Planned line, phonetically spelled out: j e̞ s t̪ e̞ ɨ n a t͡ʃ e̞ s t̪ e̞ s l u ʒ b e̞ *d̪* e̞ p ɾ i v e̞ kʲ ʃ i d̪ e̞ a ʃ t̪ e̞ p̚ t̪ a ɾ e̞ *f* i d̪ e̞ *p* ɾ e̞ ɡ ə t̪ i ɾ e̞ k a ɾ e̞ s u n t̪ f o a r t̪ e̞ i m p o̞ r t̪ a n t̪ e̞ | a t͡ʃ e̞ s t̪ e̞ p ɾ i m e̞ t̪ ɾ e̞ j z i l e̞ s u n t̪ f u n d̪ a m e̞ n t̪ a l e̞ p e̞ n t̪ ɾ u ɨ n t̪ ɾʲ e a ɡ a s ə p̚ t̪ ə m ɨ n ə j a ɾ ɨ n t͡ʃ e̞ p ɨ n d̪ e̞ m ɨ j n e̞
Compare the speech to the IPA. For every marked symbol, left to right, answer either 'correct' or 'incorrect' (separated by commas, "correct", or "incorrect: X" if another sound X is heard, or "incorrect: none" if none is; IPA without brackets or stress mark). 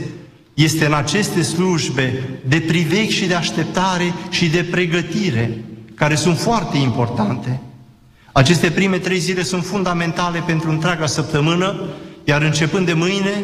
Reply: correct, incorrect: ʃ, correct